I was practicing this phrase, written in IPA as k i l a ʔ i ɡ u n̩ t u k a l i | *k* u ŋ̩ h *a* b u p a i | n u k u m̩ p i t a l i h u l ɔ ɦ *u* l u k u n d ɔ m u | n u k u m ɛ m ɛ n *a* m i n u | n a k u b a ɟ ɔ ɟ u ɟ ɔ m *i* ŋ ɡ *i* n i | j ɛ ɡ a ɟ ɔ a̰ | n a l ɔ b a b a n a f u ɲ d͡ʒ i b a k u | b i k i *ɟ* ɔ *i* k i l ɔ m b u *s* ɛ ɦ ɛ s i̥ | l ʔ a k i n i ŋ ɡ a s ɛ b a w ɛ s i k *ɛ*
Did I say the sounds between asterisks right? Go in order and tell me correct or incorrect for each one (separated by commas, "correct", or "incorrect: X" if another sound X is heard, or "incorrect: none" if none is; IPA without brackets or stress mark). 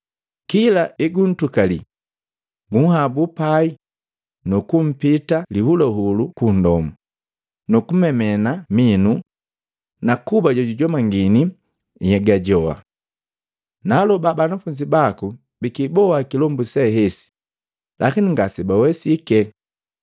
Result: incorrect: ɡ, correct, correct, correct, incorrect: a, correct, incorrect: b, incorrect: a, correct, correct